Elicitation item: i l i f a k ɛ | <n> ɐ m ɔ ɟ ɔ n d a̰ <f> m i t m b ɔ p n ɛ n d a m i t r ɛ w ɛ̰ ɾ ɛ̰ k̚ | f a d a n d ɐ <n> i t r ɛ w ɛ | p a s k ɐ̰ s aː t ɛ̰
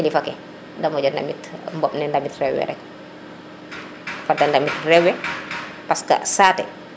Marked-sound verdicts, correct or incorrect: incorrect: d, incorrect: none, incorrect: m

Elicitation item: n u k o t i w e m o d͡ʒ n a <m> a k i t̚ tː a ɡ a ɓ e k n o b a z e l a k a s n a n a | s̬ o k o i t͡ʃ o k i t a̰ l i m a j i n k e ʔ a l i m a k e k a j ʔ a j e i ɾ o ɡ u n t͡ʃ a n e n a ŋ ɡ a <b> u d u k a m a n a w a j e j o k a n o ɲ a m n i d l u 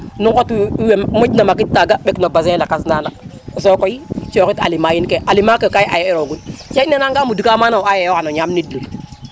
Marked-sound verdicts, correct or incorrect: correct, incorrect: m

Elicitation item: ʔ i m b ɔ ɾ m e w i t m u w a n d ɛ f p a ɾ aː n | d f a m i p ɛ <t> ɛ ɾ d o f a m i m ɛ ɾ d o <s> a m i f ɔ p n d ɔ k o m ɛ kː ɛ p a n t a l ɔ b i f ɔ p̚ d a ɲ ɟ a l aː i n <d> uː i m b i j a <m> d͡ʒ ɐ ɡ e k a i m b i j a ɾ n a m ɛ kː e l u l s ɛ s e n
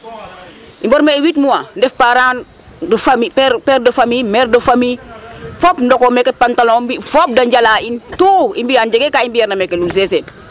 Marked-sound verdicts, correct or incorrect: incorrect: p, incorrect: f, incorrect: t, incorrect: n

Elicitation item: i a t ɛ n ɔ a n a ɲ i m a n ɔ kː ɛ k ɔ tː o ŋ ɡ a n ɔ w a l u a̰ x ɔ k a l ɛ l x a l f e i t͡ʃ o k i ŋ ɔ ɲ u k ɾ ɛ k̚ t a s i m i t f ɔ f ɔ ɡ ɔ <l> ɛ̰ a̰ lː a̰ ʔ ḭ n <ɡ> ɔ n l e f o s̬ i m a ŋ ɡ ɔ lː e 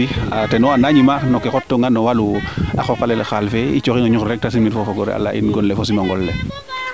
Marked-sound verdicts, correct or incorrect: incorrect: ɾ, correct

